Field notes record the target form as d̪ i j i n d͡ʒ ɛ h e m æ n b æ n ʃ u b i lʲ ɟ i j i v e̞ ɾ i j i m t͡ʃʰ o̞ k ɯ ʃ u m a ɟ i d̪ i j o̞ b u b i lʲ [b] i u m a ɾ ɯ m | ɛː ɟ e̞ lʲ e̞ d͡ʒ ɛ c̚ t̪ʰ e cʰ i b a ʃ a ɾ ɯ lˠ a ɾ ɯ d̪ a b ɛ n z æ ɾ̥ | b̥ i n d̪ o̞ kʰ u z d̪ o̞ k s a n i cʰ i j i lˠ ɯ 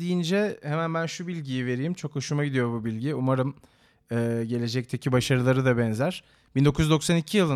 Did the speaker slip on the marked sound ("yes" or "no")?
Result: yes